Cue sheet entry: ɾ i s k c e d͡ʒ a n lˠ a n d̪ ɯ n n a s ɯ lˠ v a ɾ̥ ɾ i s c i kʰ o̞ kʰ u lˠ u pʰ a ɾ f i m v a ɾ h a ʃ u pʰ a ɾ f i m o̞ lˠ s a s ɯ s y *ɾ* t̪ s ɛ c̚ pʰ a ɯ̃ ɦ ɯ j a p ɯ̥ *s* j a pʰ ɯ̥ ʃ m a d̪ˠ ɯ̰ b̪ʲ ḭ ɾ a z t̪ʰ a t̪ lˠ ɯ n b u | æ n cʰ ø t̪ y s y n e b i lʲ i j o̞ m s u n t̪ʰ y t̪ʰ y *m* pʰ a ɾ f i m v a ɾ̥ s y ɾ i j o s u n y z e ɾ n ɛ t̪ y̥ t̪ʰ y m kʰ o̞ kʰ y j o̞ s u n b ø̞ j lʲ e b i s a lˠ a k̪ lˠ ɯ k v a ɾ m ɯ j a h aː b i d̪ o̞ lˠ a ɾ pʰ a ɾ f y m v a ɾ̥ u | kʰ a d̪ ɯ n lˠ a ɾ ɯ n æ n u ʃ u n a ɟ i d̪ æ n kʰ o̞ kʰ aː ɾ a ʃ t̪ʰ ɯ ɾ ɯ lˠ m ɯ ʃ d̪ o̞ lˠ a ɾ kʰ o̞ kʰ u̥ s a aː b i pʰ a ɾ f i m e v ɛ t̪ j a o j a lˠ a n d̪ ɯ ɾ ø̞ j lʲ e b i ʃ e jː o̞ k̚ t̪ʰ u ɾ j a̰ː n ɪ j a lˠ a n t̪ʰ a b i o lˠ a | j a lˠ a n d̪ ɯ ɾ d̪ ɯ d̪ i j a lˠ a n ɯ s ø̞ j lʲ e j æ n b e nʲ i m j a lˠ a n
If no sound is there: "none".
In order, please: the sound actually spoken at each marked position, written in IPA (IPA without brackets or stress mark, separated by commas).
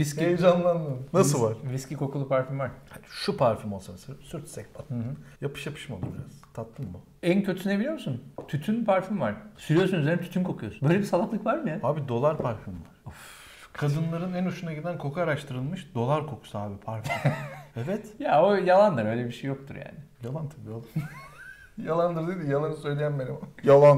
ɾ, ʃ, n